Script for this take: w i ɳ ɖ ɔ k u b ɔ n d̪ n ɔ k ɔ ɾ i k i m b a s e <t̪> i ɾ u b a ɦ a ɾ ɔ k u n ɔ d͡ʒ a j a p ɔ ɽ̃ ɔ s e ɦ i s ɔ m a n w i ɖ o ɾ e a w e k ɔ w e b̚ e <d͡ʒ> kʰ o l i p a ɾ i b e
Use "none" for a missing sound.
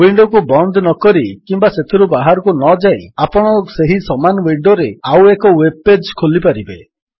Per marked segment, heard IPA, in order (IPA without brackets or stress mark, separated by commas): t̪ʰ, d͡ʒ